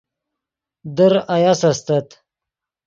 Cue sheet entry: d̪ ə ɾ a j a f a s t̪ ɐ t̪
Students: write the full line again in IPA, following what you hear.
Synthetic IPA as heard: d̪ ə ɾ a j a s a s t̪ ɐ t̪